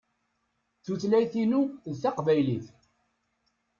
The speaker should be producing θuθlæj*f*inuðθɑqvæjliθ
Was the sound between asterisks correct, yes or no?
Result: no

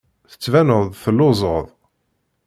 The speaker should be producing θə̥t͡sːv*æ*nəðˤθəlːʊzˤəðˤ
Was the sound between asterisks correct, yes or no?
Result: yes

